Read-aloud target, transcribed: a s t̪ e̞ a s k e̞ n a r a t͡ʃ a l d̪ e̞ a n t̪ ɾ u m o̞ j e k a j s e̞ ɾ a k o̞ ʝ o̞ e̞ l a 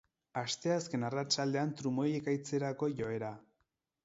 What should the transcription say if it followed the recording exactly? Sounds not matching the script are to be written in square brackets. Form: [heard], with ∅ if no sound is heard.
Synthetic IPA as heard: a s t̪ e̞ a s k e̞ n a r a t͡ʃ a l d̪ e̞ a n t̪ ɾ u m o̞ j e k a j [t͡s] e̞ ɾ a k o̞ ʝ o̞ e̞ [ɾ] a